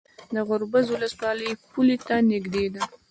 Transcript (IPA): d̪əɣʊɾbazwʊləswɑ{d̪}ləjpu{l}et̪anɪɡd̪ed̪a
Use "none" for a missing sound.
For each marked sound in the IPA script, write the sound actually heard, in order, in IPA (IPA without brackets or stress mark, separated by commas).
none, l